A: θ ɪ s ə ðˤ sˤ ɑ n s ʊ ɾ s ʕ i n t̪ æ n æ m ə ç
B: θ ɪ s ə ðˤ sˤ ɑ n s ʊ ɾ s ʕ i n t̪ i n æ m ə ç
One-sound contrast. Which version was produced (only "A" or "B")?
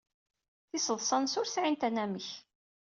A